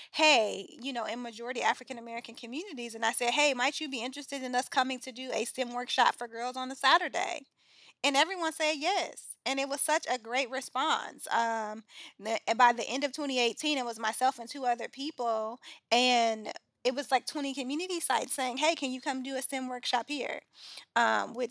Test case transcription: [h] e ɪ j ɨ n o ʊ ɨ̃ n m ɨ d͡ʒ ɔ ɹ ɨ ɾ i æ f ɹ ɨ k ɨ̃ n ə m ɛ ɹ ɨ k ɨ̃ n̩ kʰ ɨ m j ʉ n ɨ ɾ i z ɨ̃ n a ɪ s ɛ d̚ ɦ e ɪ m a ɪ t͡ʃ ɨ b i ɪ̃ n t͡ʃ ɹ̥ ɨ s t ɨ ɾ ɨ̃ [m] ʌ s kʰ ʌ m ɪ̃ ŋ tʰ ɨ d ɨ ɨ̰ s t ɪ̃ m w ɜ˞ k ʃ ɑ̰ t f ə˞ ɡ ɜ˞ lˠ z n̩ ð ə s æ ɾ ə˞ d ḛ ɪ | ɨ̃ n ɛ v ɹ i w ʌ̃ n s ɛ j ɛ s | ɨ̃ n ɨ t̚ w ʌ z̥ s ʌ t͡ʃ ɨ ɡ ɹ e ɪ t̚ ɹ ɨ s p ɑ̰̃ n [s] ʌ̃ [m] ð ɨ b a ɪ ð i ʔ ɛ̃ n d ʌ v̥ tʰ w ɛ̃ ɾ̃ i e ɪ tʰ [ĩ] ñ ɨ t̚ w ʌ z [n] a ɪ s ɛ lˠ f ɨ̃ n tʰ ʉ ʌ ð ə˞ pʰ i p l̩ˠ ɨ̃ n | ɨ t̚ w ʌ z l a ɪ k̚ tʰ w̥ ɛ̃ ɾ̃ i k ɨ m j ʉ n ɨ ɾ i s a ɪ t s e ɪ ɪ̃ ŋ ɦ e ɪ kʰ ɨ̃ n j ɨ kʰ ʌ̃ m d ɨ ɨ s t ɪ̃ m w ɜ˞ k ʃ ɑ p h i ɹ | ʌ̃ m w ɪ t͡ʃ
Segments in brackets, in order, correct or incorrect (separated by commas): correct, incorrect, correct, correct, correct, incorrect